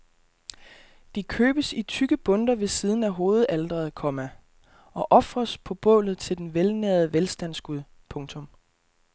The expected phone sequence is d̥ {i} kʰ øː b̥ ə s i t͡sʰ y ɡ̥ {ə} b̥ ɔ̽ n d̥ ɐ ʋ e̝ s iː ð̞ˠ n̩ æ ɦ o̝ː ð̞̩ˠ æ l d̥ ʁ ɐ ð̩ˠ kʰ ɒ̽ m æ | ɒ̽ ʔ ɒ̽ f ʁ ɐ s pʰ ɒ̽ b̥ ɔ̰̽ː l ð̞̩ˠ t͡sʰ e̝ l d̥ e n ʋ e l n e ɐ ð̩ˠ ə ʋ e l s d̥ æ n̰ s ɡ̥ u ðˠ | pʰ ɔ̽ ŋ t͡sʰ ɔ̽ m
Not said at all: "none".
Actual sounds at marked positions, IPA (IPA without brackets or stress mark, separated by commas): i, ə